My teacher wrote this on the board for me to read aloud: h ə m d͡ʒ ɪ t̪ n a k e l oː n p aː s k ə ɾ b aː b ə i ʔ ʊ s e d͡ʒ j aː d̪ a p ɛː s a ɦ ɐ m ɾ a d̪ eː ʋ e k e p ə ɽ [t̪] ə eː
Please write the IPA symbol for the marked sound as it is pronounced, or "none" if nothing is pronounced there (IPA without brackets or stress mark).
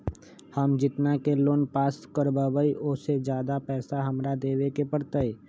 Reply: t̪